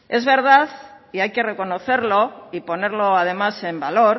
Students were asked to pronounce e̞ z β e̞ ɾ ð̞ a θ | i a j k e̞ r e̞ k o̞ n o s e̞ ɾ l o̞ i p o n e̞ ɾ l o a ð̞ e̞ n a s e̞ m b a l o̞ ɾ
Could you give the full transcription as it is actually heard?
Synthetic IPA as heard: e̞ z β e̞ ɾ ð̞ a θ | i a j k e̞ r e̞ k o̞ n o θ e̞ ɾ l o̞ i p o n e̞ ɾ l o a ð̞ e̞ m a s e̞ m b a l o̞ ɾ